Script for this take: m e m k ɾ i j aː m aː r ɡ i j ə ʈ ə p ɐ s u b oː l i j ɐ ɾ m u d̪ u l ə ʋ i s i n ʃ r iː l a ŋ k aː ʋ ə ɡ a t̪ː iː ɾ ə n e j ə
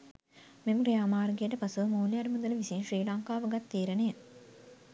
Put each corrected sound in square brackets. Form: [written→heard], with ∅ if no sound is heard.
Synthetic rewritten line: m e m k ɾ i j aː m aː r ɡ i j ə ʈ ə p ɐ s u [b→m] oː l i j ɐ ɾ m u d̪ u l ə ʋ i s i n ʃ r iː l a ŋ k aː ʋ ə ɡ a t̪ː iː ɾ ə n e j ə